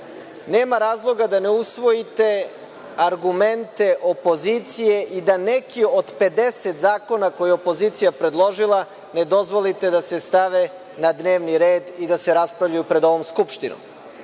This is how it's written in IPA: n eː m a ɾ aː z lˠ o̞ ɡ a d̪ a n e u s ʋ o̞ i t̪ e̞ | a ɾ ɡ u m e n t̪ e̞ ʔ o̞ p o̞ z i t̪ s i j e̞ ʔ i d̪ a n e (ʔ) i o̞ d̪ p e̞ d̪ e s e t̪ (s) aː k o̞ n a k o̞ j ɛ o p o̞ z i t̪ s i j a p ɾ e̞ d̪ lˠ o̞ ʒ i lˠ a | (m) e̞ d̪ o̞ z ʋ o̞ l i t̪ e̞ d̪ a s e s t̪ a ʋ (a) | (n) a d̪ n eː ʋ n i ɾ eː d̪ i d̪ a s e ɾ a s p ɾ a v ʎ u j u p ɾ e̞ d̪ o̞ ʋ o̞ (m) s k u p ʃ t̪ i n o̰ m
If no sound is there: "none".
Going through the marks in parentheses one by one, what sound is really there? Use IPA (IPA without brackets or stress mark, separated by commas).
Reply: k, z, n, e, n, m